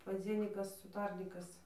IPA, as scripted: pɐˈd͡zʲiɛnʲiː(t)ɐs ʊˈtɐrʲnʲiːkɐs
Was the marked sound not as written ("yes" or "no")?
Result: yes